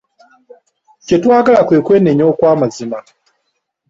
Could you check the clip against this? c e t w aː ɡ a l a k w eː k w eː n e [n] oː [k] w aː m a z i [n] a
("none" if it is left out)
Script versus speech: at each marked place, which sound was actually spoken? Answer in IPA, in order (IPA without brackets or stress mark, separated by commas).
ɲ, k, m